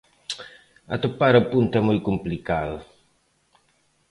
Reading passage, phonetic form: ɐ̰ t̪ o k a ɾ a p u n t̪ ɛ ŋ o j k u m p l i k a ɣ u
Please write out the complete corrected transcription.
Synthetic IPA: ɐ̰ t̪ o p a ɾ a p u n t̪ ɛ m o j k u m p l i k a ð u